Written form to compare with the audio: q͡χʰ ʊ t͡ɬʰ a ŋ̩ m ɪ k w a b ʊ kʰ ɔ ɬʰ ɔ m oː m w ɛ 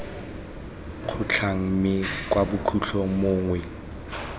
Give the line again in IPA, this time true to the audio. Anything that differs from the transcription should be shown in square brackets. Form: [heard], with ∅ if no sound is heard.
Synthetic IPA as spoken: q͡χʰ ʊ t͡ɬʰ a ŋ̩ m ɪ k w a b ʊ kʰ [u] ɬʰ ɔ m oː [ŋ] w ɛ